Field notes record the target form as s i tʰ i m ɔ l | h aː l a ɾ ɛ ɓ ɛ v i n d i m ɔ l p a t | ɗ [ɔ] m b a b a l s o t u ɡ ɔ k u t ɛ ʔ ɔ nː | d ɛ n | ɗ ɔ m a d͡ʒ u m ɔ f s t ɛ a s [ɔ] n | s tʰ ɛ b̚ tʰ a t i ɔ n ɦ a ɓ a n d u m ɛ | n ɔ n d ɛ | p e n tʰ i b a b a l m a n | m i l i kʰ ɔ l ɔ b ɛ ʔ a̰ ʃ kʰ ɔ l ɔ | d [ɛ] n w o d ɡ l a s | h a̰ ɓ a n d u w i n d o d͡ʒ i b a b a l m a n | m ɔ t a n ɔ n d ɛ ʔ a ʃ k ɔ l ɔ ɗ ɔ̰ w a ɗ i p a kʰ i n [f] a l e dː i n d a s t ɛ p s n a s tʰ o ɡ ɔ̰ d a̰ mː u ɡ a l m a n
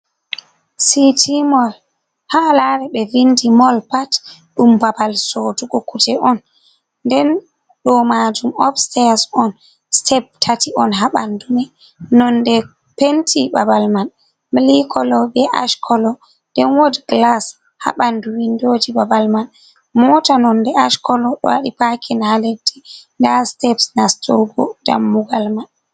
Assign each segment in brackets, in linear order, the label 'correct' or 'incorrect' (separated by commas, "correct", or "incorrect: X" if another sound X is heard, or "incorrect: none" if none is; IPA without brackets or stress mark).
incorrect: u, correct, correct, incorrect: h